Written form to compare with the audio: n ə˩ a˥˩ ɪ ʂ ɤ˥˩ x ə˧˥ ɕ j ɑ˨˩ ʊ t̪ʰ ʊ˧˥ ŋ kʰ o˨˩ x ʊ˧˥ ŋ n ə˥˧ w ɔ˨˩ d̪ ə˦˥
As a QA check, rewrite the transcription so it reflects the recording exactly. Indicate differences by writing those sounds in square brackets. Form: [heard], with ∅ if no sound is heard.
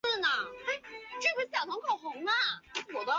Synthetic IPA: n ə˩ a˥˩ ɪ [ʈ͡ʂ] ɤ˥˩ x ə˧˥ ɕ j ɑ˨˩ ʊ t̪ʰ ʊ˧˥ ŋ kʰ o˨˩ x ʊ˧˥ ŋ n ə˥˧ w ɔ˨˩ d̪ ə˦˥